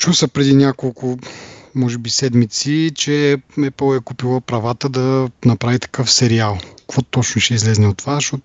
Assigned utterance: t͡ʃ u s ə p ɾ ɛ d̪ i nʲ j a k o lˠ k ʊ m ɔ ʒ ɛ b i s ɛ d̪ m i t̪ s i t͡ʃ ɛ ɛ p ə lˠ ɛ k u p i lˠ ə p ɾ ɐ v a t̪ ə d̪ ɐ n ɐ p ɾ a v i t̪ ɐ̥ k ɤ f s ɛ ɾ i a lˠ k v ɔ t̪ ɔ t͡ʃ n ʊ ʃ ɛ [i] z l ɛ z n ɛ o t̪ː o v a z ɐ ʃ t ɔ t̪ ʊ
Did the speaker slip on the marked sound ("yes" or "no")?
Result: no